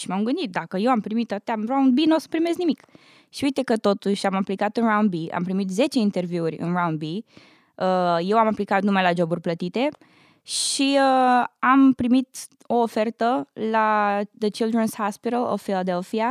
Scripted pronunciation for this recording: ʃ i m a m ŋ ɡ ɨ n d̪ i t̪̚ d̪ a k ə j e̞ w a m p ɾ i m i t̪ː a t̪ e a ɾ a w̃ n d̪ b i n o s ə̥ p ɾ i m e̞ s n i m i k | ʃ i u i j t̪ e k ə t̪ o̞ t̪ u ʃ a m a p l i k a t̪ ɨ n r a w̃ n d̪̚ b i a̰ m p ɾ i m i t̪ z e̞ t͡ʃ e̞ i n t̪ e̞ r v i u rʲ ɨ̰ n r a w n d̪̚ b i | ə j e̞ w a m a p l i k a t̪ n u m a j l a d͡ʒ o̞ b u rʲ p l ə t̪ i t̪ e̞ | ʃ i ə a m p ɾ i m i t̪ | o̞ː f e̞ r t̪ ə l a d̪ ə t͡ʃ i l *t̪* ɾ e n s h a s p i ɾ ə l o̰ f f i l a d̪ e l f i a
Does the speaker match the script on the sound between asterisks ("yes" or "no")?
no